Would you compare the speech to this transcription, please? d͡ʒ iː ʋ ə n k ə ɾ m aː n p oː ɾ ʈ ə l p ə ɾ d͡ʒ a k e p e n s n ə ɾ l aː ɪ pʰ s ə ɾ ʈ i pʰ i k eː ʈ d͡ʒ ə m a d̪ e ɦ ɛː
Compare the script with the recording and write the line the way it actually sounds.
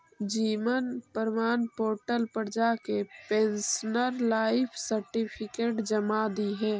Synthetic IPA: d͡ʒ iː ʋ ə n p ə ɾ m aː n p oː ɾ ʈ ə l p ə ɾ d͡ʒ a k e p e n s n ə ɾ l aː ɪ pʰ s ə ɾ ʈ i pʰ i k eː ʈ d͡ʒ ə m a d̪ i ɦ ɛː